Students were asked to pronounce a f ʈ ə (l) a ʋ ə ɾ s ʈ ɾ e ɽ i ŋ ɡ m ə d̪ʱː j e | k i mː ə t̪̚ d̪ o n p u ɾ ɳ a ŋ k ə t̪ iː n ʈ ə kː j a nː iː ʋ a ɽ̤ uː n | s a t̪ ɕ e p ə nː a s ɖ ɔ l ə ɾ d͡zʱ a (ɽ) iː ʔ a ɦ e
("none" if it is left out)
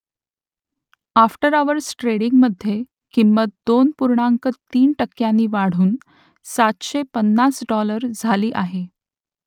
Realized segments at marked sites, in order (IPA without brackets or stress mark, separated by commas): ɾ, l